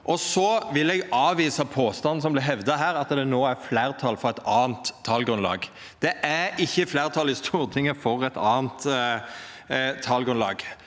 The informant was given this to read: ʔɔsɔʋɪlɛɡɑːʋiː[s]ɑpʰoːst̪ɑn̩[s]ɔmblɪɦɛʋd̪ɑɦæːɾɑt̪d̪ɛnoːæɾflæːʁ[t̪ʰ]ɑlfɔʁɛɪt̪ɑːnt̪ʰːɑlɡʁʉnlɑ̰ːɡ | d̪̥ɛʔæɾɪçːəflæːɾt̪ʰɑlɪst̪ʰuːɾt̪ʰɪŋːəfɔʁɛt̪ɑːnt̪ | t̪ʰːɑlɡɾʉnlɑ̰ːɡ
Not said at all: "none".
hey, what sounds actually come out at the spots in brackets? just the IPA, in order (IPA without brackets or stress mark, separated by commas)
s, s, t̪ʰ